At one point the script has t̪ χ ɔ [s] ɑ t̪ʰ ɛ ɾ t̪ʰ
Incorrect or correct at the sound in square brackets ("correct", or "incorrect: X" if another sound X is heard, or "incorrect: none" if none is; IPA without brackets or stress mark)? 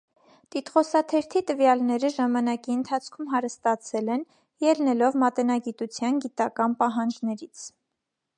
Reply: correct